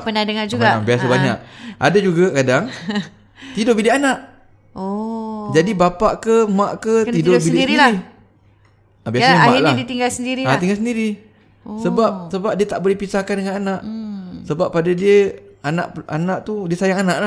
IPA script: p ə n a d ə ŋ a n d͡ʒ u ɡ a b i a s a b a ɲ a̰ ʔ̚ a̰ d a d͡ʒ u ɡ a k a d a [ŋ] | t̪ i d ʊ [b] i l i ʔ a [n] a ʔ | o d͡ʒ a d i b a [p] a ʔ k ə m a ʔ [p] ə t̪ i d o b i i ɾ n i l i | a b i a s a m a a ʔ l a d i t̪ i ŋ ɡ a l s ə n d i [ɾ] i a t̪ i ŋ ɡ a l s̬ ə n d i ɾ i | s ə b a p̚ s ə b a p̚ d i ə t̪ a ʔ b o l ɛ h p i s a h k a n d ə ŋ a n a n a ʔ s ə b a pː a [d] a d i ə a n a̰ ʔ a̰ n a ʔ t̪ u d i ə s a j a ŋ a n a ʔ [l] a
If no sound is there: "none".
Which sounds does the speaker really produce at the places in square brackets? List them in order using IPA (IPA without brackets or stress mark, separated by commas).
ŋ, b, n, p, k, ɾ, d, l